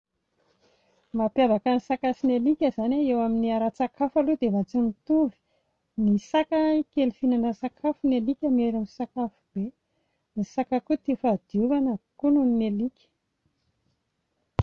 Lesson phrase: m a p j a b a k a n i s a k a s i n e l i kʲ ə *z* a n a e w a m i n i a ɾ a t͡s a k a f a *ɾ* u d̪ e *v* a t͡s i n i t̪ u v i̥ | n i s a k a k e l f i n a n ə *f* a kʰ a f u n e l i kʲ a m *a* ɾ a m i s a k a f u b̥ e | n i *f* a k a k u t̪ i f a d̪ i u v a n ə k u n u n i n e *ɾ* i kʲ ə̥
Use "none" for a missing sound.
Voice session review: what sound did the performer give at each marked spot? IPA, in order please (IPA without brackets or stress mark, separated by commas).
z, l, v, s, e, s, l